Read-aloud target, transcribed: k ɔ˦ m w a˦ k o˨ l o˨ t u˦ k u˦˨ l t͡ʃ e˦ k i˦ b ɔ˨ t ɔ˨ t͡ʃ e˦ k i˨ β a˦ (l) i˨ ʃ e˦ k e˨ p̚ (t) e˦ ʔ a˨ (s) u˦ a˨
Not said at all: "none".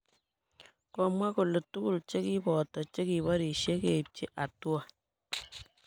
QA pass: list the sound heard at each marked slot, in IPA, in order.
ɾ, t͡ʃ, t

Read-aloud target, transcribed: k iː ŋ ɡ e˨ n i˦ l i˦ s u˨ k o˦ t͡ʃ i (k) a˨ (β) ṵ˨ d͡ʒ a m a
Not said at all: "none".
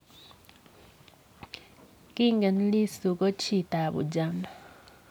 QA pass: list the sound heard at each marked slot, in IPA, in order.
t, β

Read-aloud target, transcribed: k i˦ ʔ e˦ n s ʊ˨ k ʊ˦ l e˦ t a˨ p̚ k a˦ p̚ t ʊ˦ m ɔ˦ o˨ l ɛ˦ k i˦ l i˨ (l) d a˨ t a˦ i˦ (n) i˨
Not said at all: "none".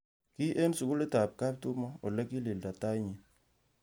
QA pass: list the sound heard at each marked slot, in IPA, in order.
l, ɲ

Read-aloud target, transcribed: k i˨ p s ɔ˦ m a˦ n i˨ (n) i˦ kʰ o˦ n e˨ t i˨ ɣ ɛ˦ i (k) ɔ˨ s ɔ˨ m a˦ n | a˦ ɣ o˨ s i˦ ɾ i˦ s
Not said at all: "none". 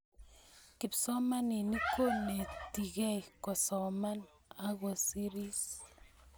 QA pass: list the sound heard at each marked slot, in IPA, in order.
n, k

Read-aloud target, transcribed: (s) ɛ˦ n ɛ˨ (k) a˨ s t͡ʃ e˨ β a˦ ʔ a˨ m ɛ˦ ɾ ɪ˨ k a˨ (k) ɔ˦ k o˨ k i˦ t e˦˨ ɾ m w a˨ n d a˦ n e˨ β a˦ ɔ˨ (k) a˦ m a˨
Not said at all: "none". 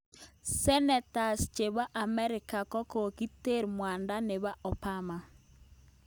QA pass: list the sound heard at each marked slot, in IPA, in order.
s, t, k, p

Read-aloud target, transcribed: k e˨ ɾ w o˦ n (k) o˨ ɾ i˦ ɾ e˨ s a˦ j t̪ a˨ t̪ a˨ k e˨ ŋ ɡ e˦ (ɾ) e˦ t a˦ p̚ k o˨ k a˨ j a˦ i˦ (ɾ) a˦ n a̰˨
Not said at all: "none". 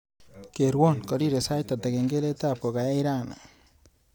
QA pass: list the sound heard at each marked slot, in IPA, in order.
k, l, ɾ

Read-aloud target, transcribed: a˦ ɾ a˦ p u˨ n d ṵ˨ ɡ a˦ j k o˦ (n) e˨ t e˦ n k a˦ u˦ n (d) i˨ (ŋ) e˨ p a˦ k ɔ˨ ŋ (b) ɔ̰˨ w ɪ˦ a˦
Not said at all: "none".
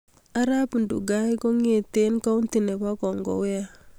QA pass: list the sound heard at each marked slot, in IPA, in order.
ŋ, t, n, ɡ

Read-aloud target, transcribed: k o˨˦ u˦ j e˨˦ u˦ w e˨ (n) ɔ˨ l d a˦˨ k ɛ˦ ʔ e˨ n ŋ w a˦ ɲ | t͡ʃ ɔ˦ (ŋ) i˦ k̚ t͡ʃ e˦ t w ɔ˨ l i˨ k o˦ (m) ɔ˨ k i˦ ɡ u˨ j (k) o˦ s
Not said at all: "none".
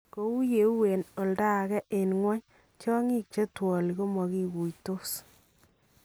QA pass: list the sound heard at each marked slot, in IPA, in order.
n, ŋ, m, t

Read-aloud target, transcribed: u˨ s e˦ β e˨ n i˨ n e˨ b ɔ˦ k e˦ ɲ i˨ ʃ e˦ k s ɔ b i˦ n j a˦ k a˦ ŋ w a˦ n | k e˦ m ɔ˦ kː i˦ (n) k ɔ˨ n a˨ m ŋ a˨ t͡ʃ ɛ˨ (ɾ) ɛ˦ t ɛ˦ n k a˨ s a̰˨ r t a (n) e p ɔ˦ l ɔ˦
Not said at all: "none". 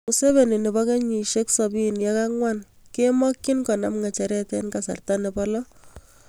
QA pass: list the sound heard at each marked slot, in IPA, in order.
n, ɾ, n

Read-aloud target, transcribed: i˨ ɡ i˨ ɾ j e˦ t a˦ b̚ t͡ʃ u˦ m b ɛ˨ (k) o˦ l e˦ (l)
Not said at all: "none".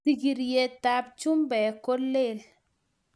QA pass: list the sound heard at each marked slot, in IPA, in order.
k, l

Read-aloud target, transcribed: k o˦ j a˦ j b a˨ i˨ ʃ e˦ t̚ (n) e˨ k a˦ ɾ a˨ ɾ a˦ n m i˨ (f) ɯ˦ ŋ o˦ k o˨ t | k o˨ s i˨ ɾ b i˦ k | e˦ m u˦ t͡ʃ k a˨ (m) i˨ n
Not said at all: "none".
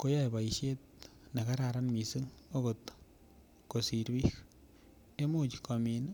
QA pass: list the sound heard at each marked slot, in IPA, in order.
n, s, m

